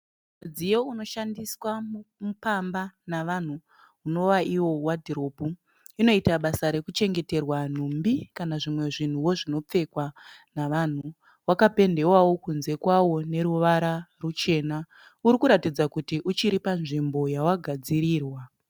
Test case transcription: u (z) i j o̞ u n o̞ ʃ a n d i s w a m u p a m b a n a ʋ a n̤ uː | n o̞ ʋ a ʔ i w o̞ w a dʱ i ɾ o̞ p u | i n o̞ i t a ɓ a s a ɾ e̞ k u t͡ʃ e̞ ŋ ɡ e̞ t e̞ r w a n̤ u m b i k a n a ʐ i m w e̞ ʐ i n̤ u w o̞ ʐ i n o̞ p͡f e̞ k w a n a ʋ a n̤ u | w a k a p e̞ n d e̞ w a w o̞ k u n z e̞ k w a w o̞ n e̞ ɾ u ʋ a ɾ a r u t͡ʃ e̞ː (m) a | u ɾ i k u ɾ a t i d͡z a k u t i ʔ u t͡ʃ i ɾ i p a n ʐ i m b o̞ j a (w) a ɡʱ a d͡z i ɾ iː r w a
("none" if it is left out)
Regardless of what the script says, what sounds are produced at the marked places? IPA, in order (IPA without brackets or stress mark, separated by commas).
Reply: d͡z, n, w